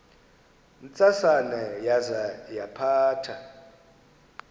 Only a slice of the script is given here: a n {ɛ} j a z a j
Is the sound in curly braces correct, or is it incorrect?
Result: correct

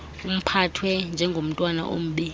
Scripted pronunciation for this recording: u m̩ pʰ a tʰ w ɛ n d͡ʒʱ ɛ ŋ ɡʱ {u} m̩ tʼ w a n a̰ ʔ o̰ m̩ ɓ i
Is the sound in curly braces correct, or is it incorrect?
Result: incorrect: o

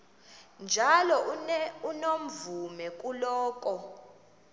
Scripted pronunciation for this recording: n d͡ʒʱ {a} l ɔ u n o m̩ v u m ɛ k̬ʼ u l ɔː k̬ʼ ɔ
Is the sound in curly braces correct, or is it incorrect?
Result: correct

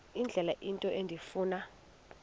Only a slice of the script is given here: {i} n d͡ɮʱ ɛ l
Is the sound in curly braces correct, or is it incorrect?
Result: correct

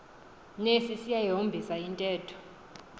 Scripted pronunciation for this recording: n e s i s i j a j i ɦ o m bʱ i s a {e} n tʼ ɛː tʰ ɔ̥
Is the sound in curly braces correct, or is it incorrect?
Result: incorrect: i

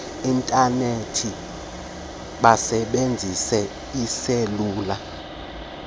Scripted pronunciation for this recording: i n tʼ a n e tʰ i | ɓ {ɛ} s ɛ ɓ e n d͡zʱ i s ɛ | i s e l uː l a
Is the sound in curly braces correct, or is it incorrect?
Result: incorrect: a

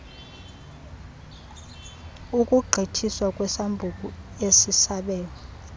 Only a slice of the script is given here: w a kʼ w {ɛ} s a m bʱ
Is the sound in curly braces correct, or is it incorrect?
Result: correct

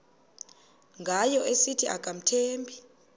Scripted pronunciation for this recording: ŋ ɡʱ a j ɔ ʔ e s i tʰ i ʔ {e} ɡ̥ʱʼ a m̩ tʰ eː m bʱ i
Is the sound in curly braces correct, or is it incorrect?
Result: incorrect: a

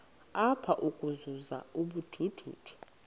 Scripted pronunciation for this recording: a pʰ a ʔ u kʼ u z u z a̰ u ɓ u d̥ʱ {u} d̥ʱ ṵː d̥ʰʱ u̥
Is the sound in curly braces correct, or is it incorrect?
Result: correct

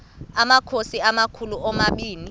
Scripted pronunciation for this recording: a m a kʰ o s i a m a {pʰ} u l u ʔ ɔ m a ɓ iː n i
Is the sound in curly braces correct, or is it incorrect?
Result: incorrect: kʰ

